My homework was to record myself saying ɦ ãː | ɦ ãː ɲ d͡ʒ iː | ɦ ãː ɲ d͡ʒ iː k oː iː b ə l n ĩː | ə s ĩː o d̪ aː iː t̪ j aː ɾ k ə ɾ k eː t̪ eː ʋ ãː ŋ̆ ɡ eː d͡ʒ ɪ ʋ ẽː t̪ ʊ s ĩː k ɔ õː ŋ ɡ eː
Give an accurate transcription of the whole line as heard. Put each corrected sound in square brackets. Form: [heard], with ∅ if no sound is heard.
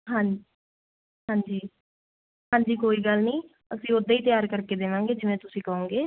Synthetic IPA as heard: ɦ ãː | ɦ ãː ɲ d͡ʒ iː | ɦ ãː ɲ d͡ʒ iː k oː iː [ɡ] ə l n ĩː | ə s ĩː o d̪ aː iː t̪ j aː ɾ k ə ɾ k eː [d̪] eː ʋ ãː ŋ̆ ɡ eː d͡ʒ ɪ ʋ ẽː t̪ ʊ s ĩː k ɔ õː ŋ ɡ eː